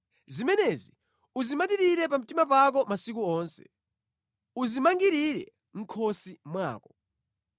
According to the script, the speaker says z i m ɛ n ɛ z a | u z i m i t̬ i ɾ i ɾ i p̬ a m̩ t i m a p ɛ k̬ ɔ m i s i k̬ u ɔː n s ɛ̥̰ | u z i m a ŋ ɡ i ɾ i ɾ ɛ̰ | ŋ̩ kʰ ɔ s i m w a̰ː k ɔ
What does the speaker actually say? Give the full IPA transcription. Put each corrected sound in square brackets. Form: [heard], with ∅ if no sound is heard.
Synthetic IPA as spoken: z i m ɛ n ɛ z [i] | u z i m [a] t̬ i ɾ i ɾ [ɛ] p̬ a m̩ t i m a p [a] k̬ ɔ m [a] s i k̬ u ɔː n s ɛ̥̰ | u z i m a ŋ ɡ i ɾ i ɾ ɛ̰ | ŋ̩ kʰ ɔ s i m w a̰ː k ɔ